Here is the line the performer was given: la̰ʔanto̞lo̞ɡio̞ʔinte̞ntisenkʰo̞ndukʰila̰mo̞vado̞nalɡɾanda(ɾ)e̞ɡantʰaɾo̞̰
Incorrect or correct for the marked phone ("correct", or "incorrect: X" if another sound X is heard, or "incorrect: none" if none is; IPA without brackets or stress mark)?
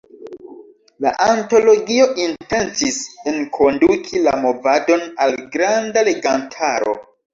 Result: incorrect: l